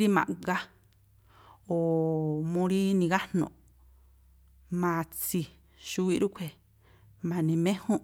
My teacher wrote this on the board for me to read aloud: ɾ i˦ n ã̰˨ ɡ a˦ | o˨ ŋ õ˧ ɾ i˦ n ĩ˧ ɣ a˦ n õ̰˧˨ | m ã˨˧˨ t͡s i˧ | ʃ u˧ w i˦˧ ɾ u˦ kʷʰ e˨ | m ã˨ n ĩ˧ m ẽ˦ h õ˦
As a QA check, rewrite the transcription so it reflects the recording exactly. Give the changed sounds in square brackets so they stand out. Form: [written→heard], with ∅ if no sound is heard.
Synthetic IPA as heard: ɾ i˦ [n→m] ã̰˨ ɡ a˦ | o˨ [ŋ→m] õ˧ ɾ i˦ n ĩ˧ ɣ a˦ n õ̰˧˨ | m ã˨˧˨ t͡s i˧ | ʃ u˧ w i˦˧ ɾ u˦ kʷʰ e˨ | m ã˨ n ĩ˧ m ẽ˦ h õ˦